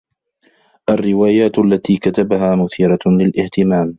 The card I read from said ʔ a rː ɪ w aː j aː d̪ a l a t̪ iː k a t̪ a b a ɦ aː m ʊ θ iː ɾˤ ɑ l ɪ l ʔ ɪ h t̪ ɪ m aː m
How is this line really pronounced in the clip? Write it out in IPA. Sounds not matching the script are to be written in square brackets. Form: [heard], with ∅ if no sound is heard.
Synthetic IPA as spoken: ʔ a rː ɪ w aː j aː [t̪] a [lː] a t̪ iː k a t̪ a b a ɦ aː m ʊ θ iː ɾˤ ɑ l ɪ l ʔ ɪ h t̪ ɪ m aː m